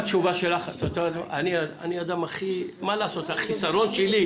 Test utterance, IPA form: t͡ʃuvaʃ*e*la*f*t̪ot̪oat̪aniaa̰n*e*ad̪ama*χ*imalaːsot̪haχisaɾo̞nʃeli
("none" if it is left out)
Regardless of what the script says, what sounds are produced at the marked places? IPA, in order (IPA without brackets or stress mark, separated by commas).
e, χ, i, χ